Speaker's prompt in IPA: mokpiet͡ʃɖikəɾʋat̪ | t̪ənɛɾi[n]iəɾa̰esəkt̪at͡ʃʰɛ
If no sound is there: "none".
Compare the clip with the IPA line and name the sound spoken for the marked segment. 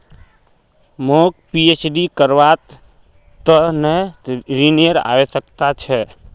n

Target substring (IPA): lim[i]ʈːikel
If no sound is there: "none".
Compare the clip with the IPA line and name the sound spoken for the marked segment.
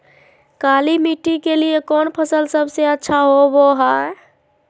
i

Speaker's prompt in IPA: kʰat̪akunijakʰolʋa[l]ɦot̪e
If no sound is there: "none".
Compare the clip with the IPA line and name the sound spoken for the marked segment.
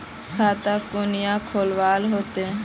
l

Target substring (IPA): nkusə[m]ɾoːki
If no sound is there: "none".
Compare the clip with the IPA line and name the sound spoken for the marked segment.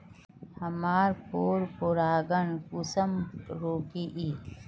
m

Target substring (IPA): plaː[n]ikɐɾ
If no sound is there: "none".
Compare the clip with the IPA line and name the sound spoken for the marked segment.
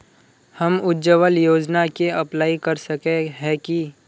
none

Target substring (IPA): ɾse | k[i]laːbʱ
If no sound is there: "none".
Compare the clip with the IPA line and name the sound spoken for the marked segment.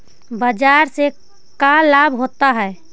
a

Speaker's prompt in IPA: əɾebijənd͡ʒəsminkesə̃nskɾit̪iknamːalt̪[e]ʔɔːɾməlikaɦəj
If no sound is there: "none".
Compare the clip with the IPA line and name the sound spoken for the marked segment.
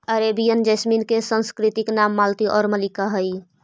i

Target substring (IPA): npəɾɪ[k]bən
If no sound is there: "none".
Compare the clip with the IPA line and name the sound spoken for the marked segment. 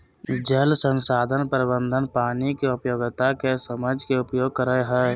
none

